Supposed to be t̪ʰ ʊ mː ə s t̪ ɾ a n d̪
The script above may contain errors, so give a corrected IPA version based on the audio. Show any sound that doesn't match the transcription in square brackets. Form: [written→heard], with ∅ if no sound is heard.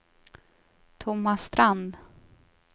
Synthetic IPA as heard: t̪ʰ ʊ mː [ə→a] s t̪ ɾ a n d̪